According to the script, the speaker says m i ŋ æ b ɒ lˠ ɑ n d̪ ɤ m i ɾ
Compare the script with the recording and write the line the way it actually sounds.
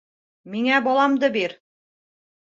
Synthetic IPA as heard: m i ŋ æ b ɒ lˠ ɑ m d̪ ɤ b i ɾ